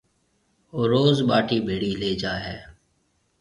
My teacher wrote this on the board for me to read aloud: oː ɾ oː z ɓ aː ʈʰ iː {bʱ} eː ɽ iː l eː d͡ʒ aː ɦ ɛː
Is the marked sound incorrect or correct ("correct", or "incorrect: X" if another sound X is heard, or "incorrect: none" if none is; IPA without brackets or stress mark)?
correct